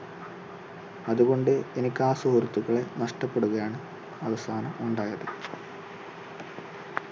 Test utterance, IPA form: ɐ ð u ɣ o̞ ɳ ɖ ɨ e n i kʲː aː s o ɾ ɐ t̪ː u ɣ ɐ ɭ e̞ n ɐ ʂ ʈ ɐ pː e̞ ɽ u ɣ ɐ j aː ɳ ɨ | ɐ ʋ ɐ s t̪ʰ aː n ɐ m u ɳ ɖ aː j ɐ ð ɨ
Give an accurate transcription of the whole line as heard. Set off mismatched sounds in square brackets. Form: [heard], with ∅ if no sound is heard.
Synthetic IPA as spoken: ɐ ð u ɣ o̞ ɳ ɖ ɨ e n i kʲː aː s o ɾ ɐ t̪ː u ɣ ɐ ɭ e̞ n ɐ ʂ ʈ ɐ pː e̞ ɽ u ɣ ɐ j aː ɳ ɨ | ɐ ʋ ɐ s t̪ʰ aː n ɐ m u ɳ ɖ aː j ɐ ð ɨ